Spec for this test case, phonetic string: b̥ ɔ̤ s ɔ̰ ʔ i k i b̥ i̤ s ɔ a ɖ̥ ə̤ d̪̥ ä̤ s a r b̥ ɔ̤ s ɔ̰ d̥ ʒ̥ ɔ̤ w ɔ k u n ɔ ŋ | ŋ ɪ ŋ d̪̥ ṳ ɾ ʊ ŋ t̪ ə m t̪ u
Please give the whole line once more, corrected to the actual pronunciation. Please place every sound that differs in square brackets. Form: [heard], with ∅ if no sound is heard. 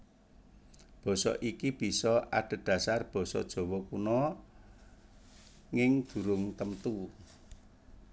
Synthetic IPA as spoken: b̥ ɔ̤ s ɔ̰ ʔ i k i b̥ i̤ s ɔ a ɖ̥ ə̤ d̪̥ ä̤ s a r b̥ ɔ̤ s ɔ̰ d̥ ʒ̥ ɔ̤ w ɔ k u n ɔ [∅] | ŋ ɪ ŋ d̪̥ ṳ ɾ ʊ ŋ t̪ ə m t̪ u